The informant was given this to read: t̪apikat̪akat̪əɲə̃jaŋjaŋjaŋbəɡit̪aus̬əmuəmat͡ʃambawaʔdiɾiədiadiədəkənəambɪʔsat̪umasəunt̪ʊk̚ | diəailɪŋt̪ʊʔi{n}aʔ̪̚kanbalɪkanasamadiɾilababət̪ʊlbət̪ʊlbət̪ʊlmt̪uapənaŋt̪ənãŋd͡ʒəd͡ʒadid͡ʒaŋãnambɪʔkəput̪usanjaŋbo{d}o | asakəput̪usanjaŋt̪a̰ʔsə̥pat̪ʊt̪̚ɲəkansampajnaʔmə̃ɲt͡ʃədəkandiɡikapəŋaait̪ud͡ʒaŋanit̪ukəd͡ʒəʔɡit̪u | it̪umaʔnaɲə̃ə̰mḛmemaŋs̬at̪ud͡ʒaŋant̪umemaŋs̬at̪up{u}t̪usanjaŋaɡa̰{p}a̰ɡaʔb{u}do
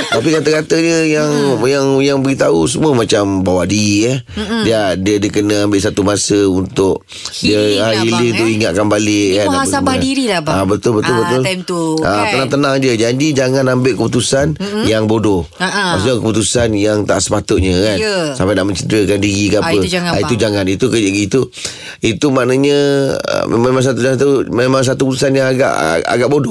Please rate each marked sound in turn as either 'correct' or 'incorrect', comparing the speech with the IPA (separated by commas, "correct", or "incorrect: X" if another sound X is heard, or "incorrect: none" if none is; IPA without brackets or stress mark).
incorrect: ŋ, correct, correct, incorrect: ʔ, incorrect: o